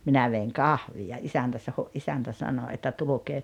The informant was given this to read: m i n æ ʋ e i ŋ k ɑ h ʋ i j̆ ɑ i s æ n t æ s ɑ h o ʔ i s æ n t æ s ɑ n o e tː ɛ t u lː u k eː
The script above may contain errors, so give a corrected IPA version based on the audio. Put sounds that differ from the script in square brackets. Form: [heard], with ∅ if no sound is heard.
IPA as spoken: m i n æ ʋ e i ŋ k ɑ h ʋ i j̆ ɑ i s æ n t æ s ɑ h o ʔ i s æ n t æ s ɑ n o e tː [æ] t u [l] u k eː